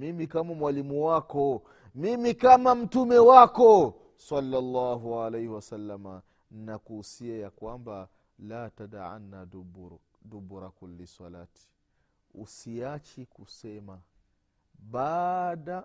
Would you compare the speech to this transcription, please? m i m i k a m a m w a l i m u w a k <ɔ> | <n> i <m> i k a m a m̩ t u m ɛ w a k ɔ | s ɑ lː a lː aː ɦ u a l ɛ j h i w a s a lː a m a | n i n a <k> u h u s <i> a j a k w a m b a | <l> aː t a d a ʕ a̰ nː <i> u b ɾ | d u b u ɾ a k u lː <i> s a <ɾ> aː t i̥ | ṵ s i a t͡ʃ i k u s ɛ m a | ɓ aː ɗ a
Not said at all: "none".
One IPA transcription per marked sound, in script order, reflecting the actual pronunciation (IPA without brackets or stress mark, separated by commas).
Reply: ɔ, m, m, k, i, l, a, i, l